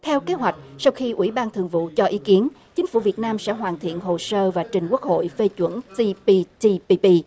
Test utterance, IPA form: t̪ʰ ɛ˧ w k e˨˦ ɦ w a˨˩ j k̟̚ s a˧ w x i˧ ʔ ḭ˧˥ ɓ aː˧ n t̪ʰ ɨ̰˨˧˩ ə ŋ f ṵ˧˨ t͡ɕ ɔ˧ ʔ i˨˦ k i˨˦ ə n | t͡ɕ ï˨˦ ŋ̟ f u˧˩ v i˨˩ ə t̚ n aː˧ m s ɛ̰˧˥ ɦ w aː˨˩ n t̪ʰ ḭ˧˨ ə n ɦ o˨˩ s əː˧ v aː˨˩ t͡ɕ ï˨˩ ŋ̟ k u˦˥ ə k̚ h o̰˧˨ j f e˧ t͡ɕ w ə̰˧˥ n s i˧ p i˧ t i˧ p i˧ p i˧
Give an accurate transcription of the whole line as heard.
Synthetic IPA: t̪ʰ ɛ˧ w k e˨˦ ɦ w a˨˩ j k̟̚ s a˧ w x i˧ ʔ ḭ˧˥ ɓ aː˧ n t̪ʰ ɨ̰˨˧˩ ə ŋ v ṵ˧˨ t͡ɕ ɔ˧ ʔ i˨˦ k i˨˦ ə n | t͡ɕ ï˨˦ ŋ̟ f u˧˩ v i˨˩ ə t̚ n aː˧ m s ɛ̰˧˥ ɦ w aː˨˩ n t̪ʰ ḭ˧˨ ə n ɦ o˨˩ s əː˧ v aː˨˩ t͡ɕ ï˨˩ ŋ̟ k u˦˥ ə k̚ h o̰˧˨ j f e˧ t͡ɕ w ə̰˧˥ n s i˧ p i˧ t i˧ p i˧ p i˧